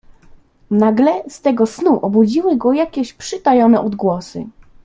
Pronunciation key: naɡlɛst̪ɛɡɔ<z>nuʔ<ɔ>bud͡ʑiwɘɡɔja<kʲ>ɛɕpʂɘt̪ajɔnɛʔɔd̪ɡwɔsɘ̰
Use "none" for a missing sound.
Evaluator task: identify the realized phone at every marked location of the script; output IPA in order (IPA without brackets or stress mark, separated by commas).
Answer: s, ɔ, kʲ